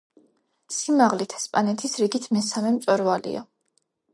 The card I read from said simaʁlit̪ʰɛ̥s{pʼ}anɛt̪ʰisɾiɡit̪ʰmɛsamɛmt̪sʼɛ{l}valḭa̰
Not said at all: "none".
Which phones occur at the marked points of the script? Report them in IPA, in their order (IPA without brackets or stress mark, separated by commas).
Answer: pʼ, ɾ